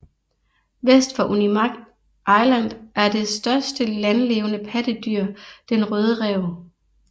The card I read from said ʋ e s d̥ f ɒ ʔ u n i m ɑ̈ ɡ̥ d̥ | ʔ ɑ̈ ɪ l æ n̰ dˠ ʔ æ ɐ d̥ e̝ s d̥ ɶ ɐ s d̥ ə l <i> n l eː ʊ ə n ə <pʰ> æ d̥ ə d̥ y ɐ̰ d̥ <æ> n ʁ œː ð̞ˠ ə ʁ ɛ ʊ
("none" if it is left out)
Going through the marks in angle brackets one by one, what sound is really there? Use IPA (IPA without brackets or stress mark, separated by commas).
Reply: æ, pʰ, e